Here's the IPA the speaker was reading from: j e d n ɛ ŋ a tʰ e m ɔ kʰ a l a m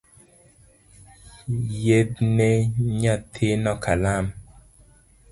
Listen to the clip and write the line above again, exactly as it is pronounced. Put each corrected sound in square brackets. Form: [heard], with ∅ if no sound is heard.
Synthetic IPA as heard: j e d n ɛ [ɲ] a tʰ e [n] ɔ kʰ a l a m